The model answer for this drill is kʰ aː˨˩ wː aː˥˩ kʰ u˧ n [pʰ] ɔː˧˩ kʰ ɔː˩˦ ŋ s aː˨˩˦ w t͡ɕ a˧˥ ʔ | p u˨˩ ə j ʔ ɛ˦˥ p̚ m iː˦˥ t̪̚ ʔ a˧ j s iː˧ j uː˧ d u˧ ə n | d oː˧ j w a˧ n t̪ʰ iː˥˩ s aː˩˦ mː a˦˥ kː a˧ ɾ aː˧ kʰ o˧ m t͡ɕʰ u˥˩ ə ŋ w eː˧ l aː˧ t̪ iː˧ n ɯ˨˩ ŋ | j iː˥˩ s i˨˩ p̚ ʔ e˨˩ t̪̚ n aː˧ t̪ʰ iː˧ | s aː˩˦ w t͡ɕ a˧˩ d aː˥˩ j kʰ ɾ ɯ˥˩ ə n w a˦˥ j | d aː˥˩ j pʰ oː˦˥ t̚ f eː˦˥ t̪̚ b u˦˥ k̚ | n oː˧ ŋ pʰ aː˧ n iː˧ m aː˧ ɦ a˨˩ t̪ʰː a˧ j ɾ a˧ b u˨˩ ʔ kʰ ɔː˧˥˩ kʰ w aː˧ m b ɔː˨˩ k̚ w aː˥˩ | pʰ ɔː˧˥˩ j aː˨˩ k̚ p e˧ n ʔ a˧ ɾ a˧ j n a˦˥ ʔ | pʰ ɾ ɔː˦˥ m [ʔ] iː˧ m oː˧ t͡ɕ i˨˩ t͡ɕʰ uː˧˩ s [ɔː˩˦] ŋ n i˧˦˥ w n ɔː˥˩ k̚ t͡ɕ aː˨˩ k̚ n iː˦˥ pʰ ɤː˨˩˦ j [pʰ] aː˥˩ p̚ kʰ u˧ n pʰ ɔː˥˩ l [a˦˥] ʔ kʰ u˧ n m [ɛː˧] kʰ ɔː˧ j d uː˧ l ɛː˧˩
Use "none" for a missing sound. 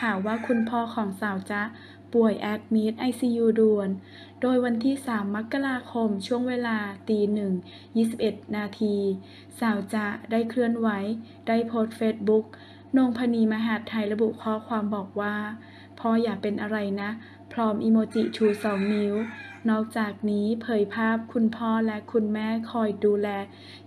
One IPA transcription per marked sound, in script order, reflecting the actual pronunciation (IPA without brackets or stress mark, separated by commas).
pʰ, ʔ, ɔː˩˦, pʰ, ɛ˦˥, ɛː˥˩